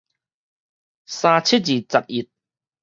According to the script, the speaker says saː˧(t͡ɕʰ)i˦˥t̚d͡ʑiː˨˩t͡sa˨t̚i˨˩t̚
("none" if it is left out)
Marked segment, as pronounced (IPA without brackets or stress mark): t͡ɕʰ